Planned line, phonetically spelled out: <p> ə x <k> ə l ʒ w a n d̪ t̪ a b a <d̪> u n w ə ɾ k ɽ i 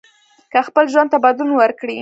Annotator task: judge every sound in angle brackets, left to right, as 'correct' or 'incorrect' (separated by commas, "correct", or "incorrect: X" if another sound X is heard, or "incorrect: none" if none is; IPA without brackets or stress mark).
incorrect: k, incorrect: p, correct